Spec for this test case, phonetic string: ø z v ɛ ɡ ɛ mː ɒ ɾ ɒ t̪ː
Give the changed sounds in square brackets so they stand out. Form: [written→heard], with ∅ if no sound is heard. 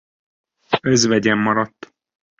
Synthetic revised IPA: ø z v ɛ [ɡ→ɟ] ɛ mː ɒ ɾ ɒ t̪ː